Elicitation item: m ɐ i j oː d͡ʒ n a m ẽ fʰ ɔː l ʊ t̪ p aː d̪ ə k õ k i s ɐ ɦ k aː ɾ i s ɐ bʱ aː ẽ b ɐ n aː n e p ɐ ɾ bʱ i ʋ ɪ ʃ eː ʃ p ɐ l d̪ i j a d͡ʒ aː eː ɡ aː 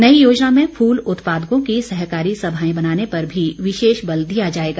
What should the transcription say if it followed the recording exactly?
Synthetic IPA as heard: n ɐ i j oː d͡ʒ n a m ẽ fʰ uː l ʊ t̪ p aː d̪ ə k õ k i s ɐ ɦ k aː ɾ i s ɐ bʱ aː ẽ b ɐ n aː n e p ɐ ɾ bʱ i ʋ ɪ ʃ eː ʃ b ɐ l d̪ i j a d͡ʒ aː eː ɡ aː